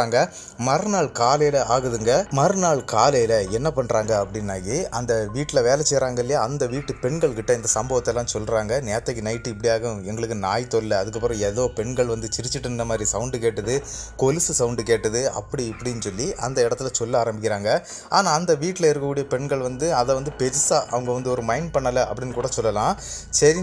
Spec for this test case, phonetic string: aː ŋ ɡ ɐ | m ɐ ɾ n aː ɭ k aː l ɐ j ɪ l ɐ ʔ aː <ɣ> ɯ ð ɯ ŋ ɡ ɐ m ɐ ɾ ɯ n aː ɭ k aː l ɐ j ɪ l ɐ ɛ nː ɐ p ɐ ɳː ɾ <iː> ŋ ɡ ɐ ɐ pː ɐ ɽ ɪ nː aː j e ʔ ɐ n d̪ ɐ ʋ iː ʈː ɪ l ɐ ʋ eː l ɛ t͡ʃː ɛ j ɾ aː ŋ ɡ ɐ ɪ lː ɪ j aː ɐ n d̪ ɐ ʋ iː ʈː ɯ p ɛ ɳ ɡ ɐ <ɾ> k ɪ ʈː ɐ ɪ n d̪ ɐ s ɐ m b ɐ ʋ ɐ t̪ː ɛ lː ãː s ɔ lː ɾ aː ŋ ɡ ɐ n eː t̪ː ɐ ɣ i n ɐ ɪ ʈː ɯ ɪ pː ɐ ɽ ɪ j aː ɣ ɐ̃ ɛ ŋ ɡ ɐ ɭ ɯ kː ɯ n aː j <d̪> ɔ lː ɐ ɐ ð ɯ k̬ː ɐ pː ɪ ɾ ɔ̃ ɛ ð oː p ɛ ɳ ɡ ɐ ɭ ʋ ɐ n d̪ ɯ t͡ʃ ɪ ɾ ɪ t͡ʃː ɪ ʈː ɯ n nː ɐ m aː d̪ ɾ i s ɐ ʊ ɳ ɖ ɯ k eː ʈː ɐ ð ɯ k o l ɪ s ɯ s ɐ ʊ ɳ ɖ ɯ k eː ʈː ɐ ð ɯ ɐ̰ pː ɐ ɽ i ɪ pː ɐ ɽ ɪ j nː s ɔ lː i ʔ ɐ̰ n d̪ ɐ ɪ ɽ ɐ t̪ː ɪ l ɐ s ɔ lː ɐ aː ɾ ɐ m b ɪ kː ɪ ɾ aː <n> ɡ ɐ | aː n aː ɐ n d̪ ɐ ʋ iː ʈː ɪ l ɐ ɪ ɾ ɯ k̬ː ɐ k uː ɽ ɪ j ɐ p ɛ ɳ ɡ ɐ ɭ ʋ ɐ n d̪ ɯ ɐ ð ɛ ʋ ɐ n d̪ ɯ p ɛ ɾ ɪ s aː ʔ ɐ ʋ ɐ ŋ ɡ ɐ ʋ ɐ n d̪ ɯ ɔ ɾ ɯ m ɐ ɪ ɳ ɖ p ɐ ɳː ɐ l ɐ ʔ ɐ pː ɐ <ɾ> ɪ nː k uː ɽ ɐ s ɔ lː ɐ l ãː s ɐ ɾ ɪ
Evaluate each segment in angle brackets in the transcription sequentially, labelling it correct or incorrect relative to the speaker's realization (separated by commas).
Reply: correct, incorrect, incorrect, incorrect, incorrect, incorrect